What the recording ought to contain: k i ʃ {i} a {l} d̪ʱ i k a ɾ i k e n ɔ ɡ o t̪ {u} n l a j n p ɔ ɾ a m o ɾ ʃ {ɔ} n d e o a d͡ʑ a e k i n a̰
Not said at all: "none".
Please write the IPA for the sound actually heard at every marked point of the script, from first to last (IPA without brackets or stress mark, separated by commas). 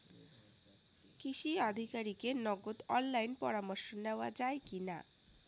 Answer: i, none, ɔ, o